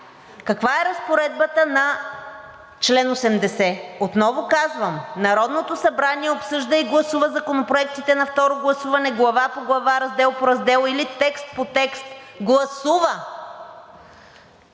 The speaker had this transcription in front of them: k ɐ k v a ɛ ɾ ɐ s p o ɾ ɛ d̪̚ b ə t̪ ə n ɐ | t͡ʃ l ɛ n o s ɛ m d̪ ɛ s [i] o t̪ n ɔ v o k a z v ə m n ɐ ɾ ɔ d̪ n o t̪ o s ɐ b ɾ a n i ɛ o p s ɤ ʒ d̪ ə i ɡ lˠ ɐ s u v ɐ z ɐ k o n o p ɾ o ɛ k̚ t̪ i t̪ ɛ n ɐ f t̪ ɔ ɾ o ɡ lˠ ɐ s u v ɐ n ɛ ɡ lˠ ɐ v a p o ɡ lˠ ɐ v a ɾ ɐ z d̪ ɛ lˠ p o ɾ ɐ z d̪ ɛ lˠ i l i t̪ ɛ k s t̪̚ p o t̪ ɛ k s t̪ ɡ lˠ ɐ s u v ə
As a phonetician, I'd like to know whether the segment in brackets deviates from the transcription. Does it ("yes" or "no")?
yes